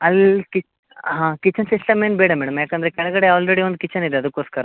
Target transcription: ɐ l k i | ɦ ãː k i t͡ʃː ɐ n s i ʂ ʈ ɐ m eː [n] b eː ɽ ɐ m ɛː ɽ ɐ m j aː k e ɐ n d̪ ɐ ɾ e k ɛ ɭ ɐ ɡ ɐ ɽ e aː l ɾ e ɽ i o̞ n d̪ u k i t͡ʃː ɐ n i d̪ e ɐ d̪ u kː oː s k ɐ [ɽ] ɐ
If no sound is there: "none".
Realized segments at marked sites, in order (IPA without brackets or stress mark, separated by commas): n, ɾ